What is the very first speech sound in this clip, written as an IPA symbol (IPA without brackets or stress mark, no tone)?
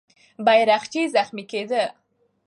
b